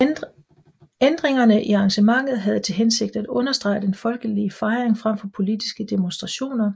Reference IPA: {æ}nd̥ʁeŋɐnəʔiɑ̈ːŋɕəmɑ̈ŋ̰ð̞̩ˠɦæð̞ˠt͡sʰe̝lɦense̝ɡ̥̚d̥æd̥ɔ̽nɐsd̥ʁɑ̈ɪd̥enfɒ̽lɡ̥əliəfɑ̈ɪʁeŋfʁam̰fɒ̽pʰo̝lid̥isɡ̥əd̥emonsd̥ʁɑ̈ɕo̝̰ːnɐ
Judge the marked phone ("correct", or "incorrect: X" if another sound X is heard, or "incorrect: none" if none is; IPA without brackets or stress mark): incorrect: e